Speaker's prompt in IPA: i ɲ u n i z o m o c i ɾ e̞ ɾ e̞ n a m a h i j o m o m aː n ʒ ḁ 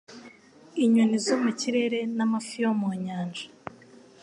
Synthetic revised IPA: i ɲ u n i z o m u c i ɾ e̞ ɾ e̞ n a m a f i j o m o ɲ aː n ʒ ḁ